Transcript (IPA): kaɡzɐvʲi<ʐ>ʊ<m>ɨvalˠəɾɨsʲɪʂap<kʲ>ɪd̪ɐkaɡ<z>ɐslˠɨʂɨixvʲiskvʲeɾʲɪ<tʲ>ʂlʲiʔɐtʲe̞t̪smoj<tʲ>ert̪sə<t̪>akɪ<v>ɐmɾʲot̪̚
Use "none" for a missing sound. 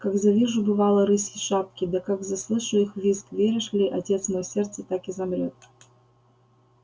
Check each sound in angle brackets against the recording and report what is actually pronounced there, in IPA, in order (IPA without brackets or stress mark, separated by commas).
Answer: ʐ, b, kʲ, z, none, sʲ, t̪, z